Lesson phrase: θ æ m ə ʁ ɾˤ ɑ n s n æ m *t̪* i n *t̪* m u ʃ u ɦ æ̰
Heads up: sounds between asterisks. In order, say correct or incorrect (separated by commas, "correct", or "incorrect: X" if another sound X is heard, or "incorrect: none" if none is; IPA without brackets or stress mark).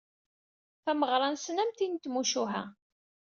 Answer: correct, correct